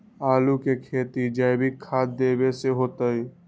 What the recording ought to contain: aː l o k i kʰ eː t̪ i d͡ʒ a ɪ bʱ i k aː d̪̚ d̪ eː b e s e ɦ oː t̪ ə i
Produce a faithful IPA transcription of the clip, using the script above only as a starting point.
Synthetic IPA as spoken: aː l u k e kʰ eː t̪ i d͡ʒ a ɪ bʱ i kʰ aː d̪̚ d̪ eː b e s e ɦ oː t̪ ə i